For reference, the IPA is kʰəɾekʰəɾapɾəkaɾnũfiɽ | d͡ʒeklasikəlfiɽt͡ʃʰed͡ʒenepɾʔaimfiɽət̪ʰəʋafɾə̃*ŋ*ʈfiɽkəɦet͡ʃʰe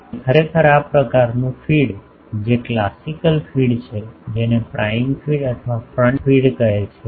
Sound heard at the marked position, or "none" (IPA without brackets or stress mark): ɳ